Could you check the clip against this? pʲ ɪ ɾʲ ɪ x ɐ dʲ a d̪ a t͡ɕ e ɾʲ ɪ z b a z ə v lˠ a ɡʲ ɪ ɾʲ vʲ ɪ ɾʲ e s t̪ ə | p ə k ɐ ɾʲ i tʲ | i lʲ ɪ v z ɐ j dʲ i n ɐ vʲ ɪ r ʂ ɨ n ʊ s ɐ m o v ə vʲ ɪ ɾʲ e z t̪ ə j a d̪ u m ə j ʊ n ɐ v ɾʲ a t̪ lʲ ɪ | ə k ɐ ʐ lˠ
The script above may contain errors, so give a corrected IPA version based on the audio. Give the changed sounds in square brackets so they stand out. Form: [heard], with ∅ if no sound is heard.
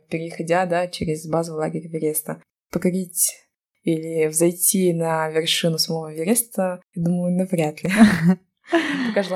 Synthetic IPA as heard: pʲ ɪ ɾʲ ɪ x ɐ dʲ a d̪ a t͡ɕ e ɾʲ ɪ z b a z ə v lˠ a ɡʲ ɪ ɾʲ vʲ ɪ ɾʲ e s t̪ ə | p ə k ɐ ɾʲ i tʲ | i lʲ ɪ v z ɐ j [tʲ] i n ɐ vʲ ɪ r ʂ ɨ n ʊ s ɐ m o v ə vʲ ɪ ɾʲ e [s] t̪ ə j a d̪ u m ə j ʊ n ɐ v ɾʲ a t̪ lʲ ɪ | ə k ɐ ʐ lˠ